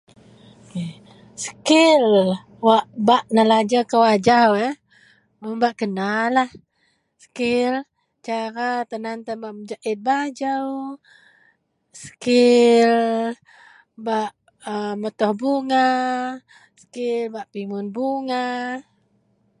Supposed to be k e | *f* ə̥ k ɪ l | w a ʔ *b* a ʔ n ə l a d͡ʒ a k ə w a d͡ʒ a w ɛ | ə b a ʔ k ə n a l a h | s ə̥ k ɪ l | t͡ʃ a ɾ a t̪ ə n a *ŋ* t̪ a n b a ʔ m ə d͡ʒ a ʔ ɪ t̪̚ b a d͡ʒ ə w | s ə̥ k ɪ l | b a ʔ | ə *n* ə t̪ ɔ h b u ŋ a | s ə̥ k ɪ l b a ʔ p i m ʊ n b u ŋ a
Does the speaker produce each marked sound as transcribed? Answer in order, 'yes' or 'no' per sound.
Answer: no, yes, no, no

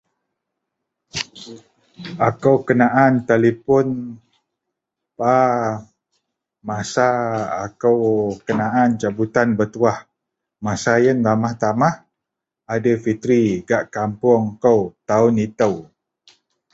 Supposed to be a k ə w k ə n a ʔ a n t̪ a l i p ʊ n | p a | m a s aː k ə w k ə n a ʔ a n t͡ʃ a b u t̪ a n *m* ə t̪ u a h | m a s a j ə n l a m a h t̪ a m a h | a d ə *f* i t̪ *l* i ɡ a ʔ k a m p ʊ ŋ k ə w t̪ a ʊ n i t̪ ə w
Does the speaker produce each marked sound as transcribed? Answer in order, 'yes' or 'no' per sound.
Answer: no, yes, no

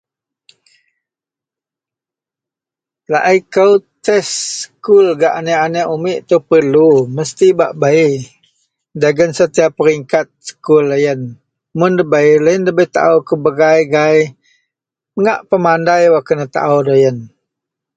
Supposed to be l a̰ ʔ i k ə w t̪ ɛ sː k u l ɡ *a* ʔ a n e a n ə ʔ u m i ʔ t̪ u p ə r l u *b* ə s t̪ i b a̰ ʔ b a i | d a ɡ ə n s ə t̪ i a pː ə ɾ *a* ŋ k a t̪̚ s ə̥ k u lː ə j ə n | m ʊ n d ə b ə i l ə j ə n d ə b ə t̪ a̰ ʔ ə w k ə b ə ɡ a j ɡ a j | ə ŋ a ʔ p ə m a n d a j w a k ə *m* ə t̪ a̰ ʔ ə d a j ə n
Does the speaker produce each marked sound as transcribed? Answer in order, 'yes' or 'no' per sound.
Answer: yes, no, no, no

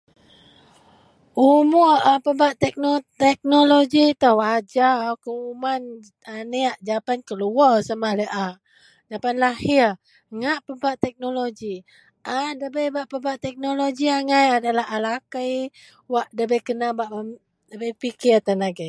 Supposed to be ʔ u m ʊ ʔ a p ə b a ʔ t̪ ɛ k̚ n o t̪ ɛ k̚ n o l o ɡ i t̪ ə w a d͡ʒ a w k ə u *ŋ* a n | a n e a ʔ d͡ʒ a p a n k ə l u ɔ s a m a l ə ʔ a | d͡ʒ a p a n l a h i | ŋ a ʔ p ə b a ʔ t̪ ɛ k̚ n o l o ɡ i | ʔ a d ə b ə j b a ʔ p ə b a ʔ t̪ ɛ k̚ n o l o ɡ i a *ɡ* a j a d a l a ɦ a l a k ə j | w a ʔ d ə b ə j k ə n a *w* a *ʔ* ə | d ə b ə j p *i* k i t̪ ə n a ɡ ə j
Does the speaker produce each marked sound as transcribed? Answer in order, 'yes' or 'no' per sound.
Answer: no, no, no, yes, yes

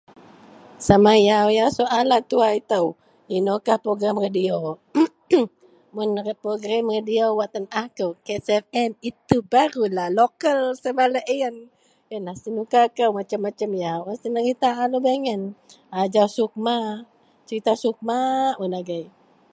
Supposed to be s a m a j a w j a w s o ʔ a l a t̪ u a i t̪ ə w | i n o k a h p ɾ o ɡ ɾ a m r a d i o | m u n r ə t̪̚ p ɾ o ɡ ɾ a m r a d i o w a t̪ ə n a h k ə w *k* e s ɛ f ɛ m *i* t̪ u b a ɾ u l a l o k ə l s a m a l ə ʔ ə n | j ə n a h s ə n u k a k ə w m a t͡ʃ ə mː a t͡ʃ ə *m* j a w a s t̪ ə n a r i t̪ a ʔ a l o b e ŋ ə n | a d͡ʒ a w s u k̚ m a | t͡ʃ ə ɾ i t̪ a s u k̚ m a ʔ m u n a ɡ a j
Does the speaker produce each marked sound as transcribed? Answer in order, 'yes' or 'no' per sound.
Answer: yes, yes, yes

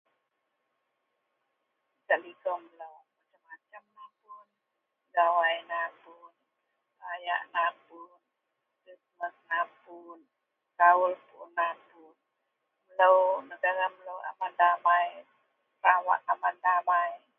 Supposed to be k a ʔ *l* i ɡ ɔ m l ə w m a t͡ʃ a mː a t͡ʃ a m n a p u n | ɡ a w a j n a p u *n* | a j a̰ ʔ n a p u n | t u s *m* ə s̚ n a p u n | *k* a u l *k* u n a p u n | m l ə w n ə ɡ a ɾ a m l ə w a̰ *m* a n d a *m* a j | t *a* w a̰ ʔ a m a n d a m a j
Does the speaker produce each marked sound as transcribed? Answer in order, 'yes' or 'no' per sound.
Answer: yes, yes, yes, yes, no, yes, yes, yes

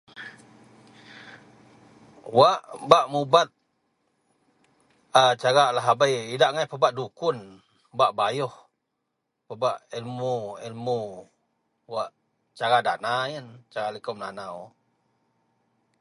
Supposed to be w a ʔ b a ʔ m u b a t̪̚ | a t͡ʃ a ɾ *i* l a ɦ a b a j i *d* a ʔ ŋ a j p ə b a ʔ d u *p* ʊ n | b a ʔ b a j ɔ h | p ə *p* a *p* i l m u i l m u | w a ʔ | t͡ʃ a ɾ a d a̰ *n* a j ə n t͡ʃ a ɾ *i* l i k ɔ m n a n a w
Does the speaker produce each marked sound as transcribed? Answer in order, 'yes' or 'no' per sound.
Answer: no, yes, no, no, no, yes, no

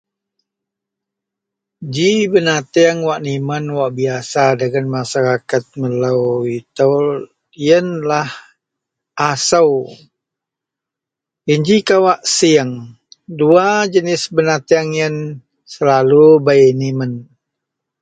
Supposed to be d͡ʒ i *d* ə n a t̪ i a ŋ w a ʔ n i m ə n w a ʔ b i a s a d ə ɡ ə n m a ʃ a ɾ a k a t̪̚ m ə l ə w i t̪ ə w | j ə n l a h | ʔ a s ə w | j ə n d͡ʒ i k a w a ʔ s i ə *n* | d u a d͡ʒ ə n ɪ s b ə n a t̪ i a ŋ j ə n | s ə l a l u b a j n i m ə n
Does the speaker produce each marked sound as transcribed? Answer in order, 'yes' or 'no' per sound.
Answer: no, no

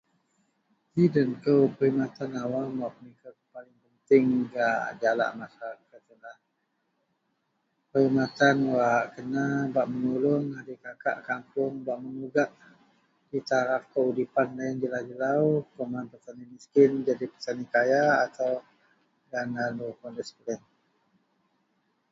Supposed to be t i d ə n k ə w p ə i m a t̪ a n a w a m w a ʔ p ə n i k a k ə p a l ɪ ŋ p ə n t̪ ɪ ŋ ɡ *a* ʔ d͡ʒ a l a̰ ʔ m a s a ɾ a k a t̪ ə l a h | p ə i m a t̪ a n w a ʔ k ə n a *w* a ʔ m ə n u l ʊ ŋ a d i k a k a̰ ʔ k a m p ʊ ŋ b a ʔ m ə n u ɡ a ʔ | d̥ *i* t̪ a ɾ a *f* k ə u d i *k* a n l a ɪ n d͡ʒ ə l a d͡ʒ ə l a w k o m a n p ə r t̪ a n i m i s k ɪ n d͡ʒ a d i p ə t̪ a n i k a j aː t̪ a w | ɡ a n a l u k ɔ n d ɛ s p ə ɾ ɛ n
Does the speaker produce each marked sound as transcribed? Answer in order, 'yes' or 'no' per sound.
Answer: yes, no, yes, yes, no

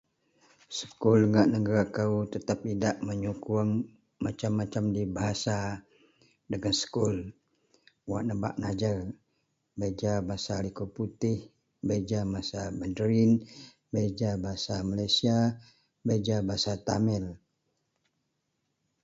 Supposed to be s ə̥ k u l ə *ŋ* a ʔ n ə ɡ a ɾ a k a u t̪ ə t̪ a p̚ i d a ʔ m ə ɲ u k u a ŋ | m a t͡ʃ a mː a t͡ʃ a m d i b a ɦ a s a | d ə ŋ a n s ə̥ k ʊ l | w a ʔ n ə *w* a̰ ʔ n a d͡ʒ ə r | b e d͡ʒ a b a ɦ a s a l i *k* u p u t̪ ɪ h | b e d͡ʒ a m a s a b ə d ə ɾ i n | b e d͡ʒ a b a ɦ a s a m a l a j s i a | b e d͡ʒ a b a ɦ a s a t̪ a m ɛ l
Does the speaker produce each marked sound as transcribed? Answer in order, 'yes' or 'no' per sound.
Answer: yes, no, yes

